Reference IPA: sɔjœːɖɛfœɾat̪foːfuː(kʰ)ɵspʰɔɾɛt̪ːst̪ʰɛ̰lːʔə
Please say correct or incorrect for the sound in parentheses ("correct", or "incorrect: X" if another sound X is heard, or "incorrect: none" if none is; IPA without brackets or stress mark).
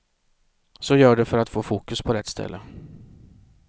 incorrect: k